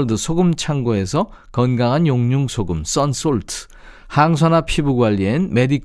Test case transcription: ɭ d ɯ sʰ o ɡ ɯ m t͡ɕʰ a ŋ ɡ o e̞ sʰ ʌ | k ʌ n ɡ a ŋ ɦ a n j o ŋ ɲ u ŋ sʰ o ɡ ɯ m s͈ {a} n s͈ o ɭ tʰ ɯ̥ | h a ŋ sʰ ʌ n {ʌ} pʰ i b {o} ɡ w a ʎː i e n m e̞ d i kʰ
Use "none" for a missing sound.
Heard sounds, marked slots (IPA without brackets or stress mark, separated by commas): ʌ, a, u